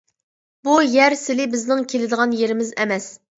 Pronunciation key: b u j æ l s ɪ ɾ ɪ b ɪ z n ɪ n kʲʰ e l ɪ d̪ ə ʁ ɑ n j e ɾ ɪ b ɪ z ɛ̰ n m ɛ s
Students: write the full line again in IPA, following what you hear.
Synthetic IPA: b u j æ ɾ s ɪ l ɪ b ɪ z n ɪ ŋ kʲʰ e l ɪ d̪ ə ʁ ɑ n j e ɾ ɪ m ɪ z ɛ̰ m ɛ s